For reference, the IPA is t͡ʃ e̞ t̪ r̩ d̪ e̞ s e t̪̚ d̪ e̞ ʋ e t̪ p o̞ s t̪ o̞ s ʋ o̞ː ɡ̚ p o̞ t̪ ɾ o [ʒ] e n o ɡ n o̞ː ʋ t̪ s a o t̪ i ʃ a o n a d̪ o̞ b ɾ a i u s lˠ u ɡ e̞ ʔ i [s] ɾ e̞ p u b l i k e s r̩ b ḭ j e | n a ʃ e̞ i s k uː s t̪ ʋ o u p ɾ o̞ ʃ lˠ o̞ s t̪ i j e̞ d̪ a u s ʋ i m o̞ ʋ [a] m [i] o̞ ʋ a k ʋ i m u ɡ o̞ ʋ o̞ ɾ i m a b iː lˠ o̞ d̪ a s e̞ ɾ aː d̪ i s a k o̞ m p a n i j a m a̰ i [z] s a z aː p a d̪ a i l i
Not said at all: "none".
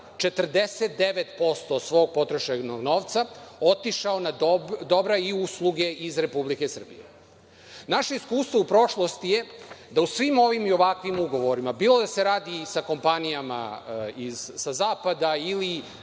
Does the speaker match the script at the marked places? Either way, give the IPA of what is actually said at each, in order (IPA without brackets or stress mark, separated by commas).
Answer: ʃ, z, i, i, z